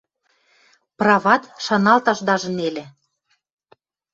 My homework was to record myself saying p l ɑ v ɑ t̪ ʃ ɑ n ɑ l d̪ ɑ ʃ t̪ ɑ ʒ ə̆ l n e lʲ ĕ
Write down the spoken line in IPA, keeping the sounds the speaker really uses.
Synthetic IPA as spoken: p r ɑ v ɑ t̪ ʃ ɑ n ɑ l t̪ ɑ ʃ d̪ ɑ ʒ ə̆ n e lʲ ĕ

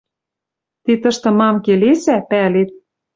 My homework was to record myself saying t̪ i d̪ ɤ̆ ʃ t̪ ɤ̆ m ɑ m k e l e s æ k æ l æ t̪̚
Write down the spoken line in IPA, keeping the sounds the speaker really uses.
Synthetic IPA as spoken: t̪ i t̪ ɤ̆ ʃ t̪ ɤ̆ m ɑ m k e l e s æ p æ l e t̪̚

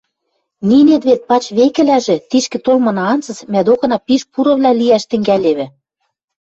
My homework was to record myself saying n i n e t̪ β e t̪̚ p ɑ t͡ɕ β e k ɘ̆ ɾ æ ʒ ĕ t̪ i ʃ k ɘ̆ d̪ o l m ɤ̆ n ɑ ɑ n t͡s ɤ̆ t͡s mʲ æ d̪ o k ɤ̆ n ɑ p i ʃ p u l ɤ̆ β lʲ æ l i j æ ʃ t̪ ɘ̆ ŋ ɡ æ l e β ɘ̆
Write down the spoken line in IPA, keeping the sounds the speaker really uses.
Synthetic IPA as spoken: n i n e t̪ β e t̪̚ p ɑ t͡ɕ β e k ɘ̆ l æ ʒ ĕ t̪ i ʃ k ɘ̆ t̪ o l m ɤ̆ n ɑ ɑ n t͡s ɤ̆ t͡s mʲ æ d̪ o k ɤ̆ n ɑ p i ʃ p u ɾ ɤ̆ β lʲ æ l i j æ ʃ t̪ ɘ̆ ŋ ɡ æ l e β ɘ̆

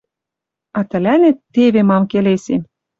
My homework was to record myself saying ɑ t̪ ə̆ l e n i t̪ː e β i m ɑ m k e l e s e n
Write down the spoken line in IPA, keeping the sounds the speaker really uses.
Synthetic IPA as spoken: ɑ t̪ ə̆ l æ n e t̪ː e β e m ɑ m k e l e s e m

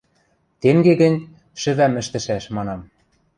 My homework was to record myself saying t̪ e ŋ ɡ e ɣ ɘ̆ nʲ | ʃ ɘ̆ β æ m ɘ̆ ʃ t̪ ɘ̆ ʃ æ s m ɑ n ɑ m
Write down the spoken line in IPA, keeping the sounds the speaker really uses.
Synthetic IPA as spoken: t̪ e ŋ ɡ e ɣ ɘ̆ nʲ | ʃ ɘ̆ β æ m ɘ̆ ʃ t̪ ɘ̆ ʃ æ ʃ m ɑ n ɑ m

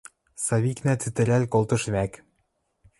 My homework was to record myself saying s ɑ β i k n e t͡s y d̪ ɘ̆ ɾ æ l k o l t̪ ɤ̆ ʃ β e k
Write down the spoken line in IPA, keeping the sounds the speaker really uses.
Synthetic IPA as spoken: s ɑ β i k n æ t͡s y t̪ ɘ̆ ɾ æ l k o l t̪ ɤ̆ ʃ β æ k

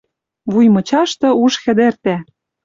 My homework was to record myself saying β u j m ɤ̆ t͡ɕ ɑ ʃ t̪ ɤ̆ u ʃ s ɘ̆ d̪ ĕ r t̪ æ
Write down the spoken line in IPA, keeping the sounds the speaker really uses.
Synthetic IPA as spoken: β u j m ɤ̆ t͡ɕ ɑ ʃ t̪ ɤ̆ u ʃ x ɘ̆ d̪ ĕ r t̪ æ

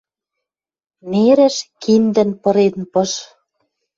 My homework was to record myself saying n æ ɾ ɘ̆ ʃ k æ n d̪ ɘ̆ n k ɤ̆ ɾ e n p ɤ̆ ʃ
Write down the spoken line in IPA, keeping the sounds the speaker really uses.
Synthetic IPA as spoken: n e ɾ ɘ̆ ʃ k i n d̪ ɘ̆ n p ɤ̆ ɾ e n p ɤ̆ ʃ

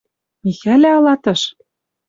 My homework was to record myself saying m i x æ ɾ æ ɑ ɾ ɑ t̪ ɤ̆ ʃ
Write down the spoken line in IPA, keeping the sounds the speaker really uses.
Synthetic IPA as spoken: m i x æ l æ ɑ l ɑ t̪ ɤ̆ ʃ

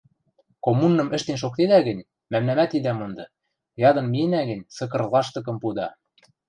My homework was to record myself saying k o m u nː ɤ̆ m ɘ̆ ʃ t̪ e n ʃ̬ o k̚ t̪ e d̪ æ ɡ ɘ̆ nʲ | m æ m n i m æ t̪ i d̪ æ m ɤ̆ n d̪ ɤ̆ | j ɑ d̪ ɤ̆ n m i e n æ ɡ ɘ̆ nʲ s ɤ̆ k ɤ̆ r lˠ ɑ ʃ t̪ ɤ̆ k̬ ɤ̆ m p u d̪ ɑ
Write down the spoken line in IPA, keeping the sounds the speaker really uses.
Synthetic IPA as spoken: k o m u nː ɤ̆ m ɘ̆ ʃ t̪ e n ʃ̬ o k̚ t̪ e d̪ æ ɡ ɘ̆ nʲ | m æ m n æ m æ t̪ i d̪ æ m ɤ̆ n d̪ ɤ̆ | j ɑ d̪ ɤ̆ n m i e n æ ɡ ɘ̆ nʲ s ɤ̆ k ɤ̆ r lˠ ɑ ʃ t̪ ɤ̆ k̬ ɤ̆ m p u d̪ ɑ

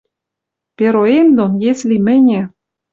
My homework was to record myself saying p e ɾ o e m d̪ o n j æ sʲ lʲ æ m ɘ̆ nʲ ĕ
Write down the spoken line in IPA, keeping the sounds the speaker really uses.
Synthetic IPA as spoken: p e ɾ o e m d̪ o n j e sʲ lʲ i m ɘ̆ nʲ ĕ

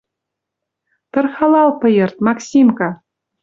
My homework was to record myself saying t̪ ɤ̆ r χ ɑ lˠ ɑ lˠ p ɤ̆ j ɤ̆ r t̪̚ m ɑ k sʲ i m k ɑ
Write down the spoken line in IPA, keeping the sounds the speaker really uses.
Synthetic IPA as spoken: t̪ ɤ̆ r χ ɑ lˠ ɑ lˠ p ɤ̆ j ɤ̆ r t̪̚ m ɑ k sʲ i m k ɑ

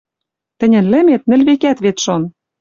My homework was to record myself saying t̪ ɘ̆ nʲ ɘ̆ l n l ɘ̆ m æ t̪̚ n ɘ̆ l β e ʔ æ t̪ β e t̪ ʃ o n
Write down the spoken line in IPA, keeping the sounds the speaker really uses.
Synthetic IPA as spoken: t̪ ɘ̆ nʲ ɘ̆ n l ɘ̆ m e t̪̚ n ɘ̆ l β e k æ t̪ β e t̪ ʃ o n

